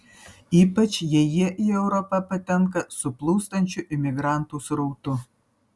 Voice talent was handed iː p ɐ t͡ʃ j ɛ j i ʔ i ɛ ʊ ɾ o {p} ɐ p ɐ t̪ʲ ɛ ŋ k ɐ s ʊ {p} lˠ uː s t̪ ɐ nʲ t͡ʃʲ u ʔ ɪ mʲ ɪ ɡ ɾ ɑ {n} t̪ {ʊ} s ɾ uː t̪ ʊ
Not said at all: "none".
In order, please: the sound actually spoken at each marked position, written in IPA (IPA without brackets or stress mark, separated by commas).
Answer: p, p, n, u